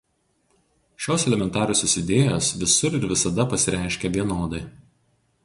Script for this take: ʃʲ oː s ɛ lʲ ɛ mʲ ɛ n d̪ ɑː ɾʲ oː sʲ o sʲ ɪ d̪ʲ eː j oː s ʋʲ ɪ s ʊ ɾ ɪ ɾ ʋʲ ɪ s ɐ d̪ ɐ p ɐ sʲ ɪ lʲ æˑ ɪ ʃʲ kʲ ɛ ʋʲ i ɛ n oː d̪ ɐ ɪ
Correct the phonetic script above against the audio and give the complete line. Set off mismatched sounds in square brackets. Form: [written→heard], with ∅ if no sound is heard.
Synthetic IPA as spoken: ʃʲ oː s ɛ lʲ ɛ mʲ ɛ n [d̪→t̪] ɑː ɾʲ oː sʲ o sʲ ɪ d̪ʲ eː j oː s ʋʲ ɪ s ʊ ɾ ɪ ɾ ʋʲ ɪ s ɐ d̪ ɐ p ɐ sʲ ɪ [lʲ→ɾʲ] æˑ ɪ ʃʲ kʲ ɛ ʋʲ i ɛ n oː d̪ ɐ ɪ